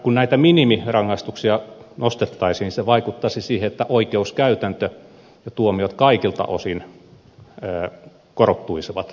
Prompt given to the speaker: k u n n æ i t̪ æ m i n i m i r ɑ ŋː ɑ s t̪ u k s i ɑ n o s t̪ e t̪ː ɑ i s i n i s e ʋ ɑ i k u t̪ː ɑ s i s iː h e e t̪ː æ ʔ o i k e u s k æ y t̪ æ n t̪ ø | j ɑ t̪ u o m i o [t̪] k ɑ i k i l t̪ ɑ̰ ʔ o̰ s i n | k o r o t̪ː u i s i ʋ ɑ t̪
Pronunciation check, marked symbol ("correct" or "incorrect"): correct